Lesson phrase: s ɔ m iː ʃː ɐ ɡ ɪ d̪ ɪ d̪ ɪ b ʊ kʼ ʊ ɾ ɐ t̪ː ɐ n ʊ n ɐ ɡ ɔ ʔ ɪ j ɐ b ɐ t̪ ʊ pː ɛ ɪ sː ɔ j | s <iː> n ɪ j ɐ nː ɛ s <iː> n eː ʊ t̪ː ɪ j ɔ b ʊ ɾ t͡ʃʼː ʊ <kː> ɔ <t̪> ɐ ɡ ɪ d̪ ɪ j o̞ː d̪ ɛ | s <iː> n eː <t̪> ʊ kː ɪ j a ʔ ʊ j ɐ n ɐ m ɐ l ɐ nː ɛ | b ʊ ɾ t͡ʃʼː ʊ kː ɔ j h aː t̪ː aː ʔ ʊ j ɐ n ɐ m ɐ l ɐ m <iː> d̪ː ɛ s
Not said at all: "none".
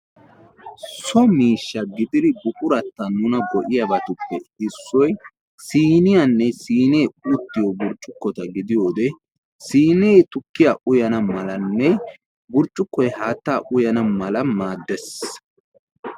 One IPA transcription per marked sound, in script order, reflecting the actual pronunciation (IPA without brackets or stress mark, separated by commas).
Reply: iː, iː, kː, t̪, iː, t̪, aː